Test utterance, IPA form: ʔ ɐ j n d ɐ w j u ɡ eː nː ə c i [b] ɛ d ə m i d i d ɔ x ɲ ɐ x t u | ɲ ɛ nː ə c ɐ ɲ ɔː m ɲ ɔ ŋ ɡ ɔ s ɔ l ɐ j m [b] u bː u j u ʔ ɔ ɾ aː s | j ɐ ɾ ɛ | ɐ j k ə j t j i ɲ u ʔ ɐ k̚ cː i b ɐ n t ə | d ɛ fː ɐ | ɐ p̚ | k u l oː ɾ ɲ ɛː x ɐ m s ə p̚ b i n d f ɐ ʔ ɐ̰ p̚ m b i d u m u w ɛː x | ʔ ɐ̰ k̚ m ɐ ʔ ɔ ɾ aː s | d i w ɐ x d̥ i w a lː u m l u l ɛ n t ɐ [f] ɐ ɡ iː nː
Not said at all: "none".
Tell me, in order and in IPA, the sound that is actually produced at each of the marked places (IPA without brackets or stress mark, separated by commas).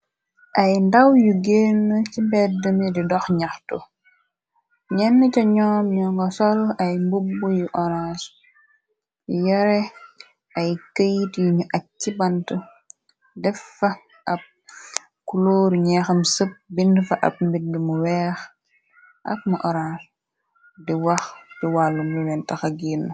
b, b, x